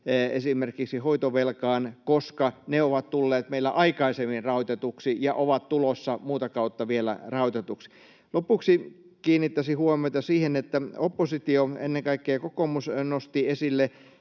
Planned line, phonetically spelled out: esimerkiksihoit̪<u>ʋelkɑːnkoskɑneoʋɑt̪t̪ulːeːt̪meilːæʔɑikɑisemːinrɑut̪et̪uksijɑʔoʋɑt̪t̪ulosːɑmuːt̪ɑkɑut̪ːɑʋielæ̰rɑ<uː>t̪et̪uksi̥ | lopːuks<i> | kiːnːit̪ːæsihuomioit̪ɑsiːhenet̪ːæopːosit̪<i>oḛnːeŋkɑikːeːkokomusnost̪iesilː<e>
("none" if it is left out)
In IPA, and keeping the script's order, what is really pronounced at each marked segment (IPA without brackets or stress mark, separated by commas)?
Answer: o, u, i, i, e